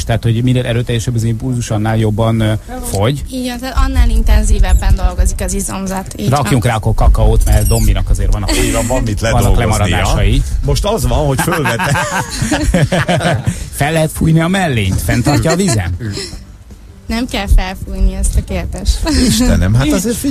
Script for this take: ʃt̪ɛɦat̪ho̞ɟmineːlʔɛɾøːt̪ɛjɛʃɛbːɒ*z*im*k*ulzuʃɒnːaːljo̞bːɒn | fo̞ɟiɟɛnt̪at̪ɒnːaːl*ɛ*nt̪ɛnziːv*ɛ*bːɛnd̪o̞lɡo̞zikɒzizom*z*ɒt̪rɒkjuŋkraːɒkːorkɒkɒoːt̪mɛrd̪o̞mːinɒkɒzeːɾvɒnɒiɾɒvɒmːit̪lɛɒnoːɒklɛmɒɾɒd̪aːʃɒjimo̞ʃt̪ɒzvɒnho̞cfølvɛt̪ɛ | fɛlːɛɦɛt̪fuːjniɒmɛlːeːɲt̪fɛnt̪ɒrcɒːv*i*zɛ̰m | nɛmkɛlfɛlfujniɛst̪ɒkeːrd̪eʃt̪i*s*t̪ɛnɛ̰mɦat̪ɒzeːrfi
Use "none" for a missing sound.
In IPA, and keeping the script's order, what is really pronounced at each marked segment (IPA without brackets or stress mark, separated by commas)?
z, p, i, ɛ, z, i, ʃ